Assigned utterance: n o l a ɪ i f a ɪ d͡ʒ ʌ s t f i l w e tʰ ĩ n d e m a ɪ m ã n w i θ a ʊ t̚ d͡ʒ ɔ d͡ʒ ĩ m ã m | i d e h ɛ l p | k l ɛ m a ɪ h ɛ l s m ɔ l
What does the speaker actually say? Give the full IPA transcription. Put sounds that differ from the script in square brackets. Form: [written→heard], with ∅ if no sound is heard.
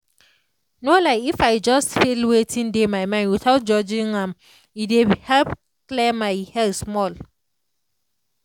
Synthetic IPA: n o l a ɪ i f a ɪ d͡ʒ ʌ s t f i l w e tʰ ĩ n d e m a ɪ m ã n w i θ a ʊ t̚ d͡ʒ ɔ d͡ʒ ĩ [m→ŋ] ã m | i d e h ɛ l p | k l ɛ m a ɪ h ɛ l s m ɔ l

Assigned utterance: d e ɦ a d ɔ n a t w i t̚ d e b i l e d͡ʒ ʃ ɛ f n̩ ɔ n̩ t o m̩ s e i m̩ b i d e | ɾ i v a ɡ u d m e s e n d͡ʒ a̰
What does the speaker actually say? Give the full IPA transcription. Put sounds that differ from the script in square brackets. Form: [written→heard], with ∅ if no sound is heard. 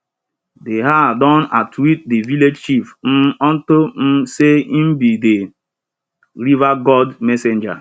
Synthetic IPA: d e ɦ a d ɔ n a t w i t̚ d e [b→v] i l e d͡ʒ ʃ [ɛ→i] f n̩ ɔ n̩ t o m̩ s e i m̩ b i d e | ɾ i v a ɡ [u→ɔ] d m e s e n d͡ʒ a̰

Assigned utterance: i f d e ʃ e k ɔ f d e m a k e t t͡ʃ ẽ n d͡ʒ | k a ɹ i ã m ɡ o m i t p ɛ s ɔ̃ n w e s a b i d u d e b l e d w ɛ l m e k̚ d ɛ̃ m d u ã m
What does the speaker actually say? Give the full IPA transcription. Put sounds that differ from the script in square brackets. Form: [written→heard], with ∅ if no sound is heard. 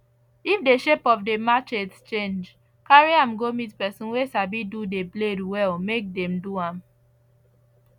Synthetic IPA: i f d e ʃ e [k→p] ɔ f d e m a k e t t͡ʃ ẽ n d͡ʒ | k a ɹ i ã m ɡ o m i t p ɛ s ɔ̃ n w e s a b i d u d e b l e d w ɛ l m e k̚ d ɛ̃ m d u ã m

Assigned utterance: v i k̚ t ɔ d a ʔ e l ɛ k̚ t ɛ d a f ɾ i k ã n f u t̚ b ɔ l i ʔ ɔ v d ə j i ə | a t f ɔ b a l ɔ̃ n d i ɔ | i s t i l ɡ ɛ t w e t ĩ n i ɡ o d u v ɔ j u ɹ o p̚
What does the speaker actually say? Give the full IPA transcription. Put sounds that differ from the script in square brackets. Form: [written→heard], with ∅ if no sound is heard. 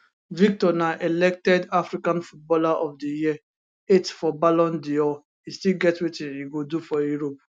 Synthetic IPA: v i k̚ t ɔ [d→n] a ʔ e l ɛ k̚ t ɛ d a f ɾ i k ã n f u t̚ b ɔ l [i→a] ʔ ɔ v d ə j i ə | [a→e] t f ɔ b a l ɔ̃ n d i ɔ | i s t i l ɡ ɛ t w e t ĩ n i ɡ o d u [v→f] ɔ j u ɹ o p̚

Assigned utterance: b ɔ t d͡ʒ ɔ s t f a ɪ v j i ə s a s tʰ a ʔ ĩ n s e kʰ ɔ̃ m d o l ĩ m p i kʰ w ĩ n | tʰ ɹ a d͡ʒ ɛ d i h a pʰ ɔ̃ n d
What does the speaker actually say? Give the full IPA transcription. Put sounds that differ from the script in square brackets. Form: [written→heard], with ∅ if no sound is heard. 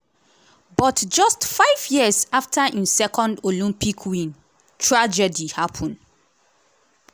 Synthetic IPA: b ɔ t d͡ʒ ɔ s t f a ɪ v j i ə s a [s→f] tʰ a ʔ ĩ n s [e→ɛ] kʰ ɔ̃ [m→n] d o l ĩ m p i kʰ w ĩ n | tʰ ɹ a d͡ʒ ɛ d i h a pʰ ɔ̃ n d

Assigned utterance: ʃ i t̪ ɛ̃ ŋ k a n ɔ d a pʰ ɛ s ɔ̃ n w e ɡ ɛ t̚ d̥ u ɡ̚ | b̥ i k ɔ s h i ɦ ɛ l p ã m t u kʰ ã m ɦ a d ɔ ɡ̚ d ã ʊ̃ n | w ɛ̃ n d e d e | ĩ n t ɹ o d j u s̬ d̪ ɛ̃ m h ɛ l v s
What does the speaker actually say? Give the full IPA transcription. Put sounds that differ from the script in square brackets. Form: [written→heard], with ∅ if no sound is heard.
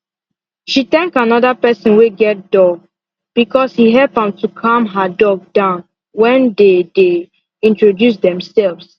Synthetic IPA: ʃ i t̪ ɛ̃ ŋ k a n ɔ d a [pʰ→p] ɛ s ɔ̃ n w e ɡ ɛ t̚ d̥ [u→ɔ] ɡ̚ | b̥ i k ɔ s h i ɦ ɛ l p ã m t u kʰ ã m ɦ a d ɔ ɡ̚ d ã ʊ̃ n | w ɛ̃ n d e d e | ĩ n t ɹ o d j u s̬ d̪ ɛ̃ m [h→s] ɛ l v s

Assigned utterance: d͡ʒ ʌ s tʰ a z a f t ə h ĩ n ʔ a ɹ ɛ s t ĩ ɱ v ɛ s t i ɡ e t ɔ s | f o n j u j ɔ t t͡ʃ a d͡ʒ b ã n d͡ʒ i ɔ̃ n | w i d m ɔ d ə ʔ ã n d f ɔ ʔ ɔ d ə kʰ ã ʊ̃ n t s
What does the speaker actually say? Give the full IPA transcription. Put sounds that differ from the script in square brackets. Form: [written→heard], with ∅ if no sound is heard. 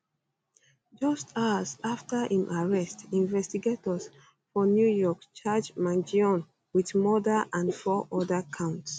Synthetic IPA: d͡ʒ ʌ s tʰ a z a f t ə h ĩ [n→m] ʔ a ɹ ɛ s t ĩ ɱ v ɛ s t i ɡ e t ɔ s | f [o→ɔ] n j u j ɔ [t→k] t͡ʃ a d͡ʒ [b→m] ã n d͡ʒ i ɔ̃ n | w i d m ɔ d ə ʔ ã n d f ɔ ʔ ɔ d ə kʰ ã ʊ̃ n t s

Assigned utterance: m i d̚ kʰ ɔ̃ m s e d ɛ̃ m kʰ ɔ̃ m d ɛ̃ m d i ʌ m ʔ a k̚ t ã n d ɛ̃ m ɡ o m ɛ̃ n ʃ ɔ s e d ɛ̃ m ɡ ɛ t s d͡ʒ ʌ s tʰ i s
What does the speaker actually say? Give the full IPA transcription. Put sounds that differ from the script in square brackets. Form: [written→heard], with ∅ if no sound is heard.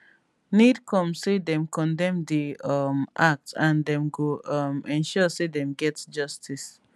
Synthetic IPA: [m→n] i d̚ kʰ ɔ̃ m s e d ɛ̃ m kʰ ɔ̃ [m→n] d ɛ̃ m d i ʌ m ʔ a k̚ t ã n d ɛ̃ m ɡ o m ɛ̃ n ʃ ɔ s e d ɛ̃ m ɡ ɛ t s d͡ʒ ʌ s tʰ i s

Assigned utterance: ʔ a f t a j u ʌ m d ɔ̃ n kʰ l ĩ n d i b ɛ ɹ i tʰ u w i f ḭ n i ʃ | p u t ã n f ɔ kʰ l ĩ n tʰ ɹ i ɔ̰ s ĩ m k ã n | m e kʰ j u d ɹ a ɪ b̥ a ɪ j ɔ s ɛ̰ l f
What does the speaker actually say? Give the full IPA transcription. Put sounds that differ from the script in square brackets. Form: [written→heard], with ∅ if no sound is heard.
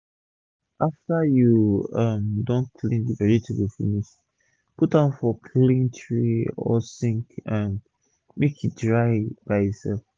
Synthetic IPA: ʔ a f t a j u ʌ m d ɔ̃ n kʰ l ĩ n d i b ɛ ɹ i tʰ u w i f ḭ n i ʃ | p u t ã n f ɔ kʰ l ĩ n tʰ ɹ i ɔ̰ s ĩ [m→ŋ] k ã n | m e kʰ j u d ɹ a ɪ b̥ a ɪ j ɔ s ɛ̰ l f

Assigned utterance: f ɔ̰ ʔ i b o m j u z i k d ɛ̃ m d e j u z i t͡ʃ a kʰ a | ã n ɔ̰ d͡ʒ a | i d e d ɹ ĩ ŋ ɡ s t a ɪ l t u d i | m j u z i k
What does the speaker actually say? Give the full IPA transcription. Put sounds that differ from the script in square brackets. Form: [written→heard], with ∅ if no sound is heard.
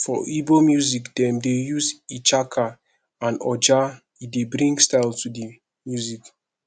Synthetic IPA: f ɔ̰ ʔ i b o m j u z i k d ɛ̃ m d e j u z i t͡ʃ a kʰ a | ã n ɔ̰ d͡ʒ a | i d e [d→b] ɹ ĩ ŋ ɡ s t a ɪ l t u d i | m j u z i k

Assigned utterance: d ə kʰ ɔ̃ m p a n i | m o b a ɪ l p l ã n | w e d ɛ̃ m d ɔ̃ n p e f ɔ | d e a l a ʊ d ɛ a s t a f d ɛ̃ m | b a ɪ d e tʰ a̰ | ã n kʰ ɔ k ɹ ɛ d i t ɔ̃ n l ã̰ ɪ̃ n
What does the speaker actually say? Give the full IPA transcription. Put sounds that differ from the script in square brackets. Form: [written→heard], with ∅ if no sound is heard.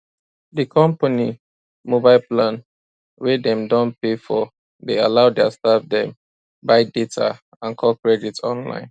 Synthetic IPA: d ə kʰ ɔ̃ m p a n i | m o b a ɪ l p l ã n | w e d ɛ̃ m d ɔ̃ n p e f ɔ | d e a l a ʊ d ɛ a s t a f d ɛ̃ m | b a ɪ d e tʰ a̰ | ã n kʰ ɔ k ɹ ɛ d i t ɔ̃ n l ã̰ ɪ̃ n

